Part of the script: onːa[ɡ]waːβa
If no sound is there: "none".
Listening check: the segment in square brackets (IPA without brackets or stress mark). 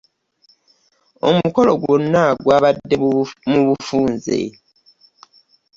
ɡ